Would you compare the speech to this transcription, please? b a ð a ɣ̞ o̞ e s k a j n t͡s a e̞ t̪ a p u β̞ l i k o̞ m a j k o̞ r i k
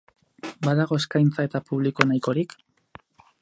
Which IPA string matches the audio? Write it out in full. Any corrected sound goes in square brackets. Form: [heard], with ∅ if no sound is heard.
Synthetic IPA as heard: b a ð a ɣ̞ o̞ e s k a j n t͡s a e̞ t̪ a p u β̞ l i k o̞ [n] a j k o̞ [ɾ] i k